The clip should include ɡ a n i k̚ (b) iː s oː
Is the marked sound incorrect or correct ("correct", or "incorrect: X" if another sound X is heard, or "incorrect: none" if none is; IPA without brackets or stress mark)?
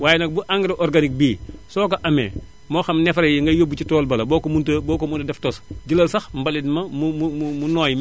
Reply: correct